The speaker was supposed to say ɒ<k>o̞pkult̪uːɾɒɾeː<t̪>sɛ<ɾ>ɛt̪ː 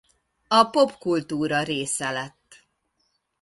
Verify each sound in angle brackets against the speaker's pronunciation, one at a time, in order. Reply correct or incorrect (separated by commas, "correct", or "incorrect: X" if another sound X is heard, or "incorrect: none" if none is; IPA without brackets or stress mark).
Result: incorrect: p, incorrect: none, incorrect: l